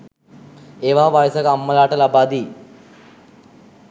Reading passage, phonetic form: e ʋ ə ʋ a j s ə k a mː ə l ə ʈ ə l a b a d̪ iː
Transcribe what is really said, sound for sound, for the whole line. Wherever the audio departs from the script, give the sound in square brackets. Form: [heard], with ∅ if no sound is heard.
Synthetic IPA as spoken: e ʋ [a] ʋ a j s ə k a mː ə l [a] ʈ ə l a b a d̪ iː